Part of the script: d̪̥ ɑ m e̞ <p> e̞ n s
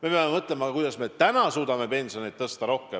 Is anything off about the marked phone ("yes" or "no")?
no